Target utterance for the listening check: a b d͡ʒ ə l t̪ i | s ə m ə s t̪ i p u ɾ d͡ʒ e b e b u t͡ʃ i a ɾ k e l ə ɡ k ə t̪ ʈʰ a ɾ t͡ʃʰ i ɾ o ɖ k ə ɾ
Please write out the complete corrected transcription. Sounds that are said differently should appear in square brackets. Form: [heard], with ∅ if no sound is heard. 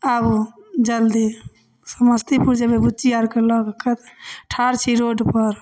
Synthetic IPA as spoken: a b d͡ʒ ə l [d̪] i | s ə m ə s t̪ i p u ɾ d͡ʒ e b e b u t͡ʃ i a ɾ k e l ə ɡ k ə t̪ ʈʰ a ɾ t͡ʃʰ i ɾ o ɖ [p] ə ɾ